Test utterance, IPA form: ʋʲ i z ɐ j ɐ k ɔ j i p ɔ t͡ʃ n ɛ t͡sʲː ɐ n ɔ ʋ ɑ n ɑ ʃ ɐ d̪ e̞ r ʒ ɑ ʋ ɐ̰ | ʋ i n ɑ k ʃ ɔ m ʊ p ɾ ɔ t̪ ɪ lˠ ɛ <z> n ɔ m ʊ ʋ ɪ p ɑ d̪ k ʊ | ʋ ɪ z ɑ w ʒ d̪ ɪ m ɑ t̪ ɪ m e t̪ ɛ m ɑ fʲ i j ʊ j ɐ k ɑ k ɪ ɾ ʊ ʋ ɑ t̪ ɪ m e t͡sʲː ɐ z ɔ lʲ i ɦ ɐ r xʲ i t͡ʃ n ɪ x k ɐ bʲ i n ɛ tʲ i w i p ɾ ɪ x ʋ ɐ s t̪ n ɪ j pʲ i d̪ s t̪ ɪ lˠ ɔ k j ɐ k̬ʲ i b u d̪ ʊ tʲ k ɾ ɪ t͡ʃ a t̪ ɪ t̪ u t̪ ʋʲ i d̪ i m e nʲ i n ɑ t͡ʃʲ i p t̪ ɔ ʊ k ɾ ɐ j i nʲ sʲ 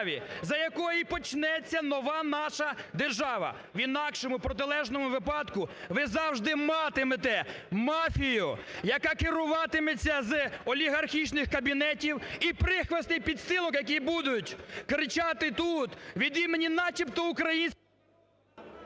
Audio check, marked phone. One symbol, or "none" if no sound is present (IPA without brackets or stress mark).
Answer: ʒ